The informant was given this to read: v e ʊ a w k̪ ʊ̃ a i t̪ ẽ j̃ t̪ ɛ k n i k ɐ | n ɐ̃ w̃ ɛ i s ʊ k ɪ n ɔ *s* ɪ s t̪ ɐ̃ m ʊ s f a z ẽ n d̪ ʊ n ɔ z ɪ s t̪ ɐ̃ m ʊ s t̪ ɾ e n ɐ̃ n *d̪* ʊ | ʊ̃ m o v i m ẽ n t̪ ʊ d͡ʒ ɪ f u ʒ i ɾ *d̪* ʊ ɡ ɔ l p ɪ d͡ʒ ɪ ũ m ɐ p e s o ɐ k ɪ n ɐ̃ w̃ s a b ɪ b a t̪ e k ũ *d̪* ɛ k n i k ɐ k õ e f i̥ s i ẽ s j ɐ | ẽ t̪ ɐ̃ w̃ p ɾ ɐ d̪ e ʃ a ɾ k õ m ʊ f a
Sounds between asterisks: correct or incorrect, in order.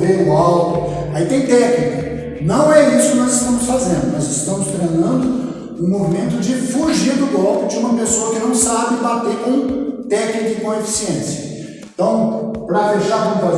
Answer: incorrect, correct, correct, incorrect

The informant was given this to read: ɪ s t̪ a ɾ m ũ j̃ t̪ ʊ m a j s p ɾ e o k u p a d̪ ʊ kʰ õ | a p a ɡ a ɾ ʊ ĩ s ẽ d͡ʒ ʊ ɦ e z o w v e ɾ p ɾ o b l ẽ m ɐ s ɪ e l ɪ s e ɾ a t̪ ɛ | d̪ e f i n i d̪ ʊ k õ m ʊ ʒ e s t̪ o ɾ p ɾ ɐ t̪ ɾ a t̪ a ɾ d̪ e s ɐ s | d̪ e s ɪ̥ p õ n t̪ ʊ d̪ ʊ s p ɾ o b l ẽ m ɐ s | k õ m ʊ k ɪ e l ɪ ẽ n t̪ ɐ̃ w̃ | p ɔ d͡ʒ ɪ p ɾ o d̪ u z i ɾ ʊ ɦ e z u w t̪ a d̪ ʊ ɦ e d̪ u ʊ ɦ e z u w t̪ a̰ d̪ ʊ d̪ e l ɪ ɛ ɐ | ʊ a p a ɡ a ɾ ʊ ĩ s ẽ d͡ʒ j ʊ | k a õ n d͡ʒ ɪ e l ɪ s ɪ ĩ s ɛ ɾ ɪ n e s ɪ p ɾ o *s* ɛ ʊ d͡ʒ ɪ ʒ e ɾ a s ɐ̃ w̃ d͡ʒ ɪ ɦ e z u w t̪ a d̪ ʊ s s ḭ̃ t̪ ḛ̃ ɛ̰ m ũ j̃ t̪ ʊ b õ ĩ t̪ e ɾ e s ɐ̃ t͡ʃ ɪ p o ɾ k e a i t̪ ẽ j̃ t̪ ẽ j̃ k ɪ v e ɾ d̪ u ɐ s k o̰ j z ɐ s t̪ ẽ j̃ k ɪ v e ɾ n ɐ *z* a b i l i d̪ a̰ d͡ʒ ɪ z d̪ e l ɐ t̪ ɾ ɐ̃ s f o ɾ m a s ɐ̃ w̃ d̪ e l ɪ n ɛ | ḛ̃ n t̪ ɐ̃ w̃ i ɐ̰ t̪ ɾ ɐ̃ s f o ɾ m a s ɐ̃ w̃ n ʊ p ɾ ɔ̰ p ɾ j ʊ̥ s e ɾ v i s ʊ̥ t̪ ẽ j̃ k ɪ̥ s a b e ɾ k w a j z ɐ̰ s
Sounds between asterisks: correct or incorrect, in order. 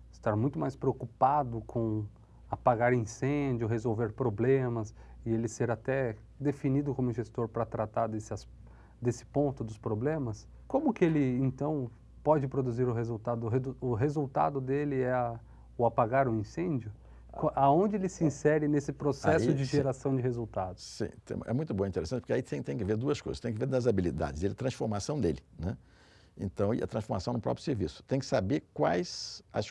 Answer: correct, correct

